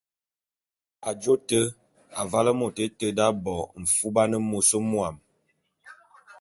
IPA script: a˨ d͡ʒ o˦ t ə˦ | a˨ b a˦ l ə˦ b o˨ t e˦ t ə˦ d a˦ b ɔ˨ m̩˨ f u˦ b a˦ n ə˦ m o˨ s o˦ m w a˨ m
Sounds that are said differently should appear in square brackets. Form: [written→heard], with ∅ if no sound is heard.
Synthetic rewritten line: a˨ d͡ʒ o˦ t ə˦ | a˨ [b→v] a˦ l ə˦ [b→m] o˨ t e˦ t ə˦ d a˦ b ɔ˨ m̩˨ f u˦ b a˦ n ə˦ m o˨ s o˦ m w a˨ m